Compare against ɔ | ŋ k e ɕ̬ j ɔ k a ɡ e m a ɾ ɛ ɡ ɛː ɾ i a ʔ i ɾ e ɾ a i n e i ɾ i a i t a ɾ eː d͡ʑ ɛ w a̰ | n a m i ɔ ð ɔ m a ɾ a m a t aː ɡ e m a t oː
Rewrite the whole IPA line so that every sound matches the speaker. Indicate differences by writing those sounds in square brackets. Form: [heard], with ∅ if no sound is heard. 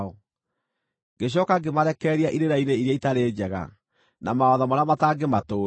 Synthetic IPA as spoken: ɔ | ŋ [ɡ] e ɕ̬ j ɔ k a ɡ e m a ɾ ɛ [k] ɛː ɾ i a ʔ i ɾ e ɾ a i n e i ɾ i a i t a ɾ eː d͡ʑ ɛ [ɣ] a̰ | n a m [a] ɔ ð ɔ m a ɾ a m a t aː ɡ e m a t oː